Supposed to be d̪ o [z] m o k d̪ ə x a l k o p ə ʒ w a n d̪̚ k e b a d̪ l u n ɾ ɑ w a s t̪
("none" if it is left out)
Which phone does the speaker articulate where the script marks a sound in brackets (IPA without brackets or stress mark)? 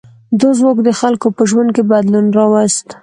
z